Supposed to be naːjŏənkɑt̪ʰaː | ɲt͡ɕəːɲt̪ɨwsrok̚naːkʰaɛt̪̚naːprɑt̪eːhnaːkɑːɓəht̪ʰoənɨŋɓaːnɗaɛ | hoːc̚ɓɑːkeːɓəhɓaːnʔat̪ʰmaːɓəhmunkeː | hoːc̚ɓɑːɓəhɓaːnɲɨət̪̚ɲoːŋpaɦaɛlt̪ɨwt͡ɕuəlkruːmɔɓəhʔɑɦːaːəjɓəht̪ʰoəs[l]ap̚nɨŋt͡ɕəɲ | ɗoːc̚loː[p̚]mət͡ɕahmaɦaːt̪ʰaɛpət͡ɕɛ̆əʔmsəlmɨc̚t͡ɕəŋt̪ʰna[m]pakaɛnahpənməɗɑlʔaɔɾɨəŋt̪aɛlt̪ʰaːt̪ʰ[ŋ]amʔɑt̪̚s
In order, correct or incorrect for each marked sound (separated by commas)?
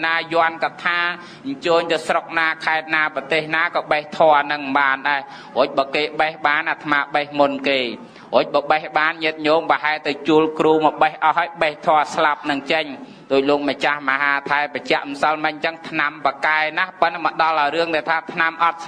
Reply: correct, incorrect, correct, incorrect